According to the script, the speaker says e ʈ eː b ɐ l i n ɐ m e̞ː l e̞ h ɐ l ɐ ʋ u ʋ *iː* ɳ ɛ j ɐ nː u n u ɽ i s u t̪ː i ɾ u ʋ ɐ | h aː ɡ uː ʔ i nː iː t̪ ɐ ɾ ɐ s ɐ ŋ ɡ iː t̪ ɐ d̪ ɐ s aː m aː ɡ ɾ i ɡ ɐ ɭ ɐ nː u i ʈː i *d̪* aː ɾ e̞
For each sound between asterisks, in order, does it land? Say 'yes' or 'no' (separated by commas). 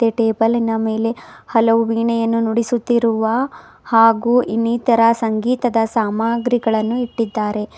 yes, no